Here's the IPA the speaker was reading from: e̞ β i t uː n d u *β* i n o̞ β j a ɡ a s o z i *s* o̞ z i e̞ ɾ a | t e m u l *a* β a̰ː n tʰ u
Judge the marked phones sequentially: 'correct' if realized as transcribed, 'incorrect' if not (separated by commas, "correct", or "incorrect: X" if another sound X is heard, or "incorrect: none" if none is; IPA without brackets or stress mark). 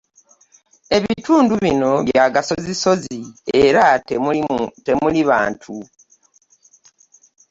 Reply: correct, correct, incorrect: i